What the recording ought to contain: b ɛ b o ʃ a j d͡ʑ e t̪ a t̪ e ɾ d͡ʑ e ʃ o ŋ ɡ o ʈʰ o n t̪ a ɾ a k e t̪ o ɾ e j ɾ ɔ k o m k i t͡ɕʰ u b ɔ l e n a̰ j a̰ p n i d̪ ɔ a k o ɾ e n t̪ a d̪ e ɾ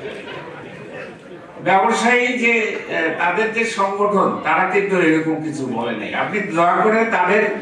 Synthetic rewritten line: b ɛ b o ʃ a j d͡ʑ e t̪ a d̪ e ɾ d͡ʑ e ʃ ɔ ŋ ɡ o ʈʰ o n t̪ a ɾ a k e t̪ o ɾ e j ɾ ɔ k o m k i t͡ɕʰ u b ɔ l e n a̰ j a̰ p n i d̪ ɔ a k o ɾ e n t̪ a d̪ e ɾ

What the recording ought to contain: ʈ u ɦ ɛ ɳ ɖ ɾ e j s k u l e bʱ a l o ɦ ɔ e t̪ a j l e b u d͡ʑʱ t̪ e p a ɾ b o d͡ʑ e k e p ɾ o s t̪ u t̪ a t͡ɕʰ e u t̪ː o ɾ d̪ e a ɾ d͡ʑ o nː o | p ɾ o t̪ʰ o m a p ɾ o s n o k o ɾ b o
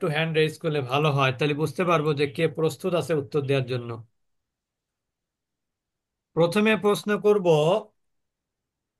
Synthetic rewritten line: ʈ u ɦ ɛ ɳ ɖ ɾ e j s k u l e bʱ a l o ɦ ɔ e t̪ a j l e b u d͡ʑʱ t̪ e p a ɾ b o d͡ʑ e k e p ɾ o s t̪ u t̪ a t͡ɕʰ e u t̪ː o ɾ d̪ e a ɾ d͡ʑ o nː o | p ɾ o t̪ʰ o m e p ɾ o s n o k o ɾ b o

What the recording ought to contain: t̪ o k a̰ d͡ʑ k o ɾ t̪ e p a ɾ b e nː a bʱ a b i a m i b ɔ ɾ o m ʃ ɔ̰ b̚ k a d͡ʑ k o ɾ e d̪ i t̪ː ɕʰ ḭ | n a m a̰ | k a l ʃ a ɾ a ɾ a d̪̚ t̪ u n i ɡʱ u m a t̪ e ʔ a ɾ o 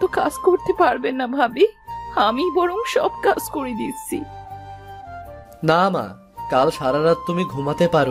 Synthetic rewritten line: t̪ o k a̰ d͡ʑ k o ɾ t̪ e p a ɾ b e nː a bʱ a b i a m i b ɔ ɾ o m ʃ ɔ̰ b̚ k a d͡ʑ k o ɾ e d̪ i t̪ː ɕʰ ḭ | n a m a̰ | k a l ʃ a ɾ a ɾ a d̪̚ t̪ u m i ɡʱ u m a t̪ e p a ɾ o

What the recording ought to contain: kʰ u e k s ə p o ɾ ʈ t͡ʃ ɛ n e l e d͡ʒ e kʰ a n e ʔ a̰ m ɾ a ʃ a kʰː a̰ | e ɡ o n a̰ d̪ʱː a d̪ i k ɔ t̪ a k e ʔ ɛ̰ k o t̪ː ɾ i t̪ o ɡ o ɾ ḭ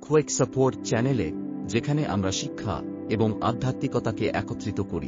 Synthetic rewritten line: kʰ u e k s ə p o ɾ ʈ t͡ʃ ɛ n e l e d͡ʒ e kʰ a n e ʔ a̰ m ɾ a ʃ i kʰː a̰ | e b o ŋ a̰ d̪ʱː a t̪ i k ɔ t̪ a k e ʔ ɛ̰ k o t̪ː ɾ i t̪ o k o ɾ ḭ

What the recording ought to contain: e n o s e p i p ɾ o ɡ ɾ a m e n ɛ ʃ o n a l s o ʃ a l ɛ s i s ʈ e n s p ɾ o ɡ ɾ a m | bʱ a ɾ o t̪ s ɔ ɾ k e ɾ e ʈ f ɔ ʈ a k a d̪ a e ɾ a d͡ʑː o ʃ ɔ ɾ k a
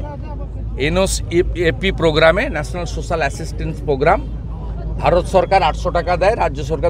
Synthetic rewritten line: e n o s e p i p ɾ o ɡ ɾ a m e n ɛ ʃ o n a l s o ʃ a l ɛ s i s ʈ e n s p ɾ o ɡ ɾ a m | bʱ a ɾ o t̪ ʃ ɔ ɾ k a ɾ a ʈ ʃ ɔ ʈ a k a d̪ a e ɾ a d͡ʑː o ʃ ɔ ɾ k a

